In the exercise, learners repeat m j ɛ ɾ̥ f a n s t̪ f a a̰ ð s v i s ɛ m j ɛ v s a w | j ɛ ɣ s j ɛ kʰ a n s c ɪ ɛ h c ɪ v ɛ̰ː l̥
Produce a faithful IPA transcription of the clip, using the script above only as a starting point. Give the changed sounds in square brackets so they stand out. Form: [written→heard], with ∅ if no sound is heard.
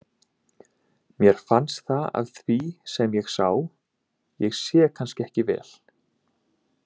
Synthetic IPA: m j ɛ ɾ̥ f a n s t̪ [f→θ] a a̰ ð [s→θ] v i s ɛ m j ɛ [v→ɣ] s a w | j ɛ ɣ s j ɛ kʰ a n s c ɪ ɛ h c ɪ v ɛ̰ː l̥